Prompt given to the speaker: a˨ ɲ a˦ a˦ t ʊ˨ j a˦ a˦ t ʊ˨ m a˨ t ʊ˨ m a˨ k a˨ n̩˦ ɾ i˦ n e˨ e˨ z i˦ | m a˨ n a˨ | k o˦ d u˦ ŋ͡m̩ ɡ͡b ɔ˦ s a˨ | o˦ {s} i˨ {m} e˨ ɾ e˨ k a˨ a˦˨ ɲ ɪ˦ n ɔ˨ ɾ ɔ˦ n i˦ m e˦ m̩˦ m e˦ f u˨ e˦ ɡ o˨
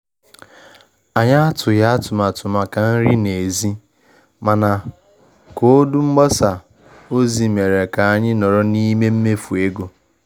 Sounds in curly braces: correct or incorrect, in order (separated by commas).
incorrect, correct